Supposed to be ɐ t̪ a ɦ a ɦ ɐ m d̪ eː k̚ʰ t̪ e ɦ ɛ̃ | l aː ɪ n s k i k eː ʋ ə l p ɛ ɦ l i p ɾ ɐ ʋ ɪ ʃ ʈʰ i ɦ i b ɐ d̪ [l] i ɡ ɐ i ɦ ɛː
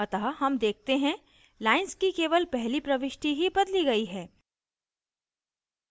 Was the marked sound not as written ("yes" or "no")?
no